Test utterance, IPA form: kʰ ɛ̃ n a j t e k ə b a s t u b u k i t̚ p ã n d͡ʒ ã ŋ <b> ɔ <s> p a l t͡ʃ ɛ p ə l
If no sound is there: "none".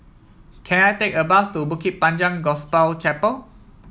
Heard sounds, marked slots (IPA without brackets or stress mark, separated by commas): ɡ, s